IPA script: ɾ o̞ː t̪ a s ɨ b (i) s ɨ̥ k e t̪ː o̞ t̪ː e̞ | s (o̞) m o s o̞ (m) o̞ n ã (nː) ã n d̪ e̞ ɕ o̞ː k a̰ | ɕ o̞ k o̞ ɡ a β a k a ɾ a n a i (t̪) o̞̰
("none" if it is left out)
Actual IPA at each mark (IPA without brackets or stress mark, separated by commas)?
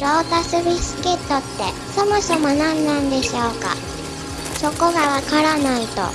i, o̞, m, nː, t̪